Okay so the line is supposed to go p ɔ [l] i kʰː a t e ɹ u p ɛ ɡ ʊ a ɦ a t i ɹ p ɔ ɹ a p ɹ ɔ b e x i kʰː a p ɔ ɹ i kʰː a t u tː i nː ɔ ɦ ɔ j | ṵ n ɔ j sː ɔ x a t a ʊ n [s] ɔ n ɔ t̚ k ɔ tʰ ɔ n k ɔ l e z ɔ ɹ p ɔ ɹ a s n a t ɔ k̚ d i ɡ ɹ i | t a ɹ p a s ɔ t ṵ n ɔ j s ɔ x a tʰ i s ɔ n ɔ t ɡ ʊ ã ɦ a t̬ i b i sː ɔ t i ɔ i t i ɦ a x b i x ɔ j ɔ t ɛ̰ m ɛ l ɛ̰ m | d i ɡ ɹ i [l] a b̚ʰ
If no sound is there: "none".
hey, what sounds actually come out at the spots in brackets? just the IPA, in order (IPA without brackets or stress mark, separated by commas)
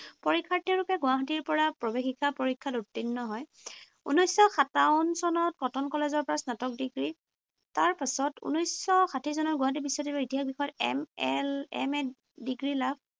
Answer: ɹ, s, l